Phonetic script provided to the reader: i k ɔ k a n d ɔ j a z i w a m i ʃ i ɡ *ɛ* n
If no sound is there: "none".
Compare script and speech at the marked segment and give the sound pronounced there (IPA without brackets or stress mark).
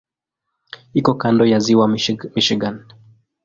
a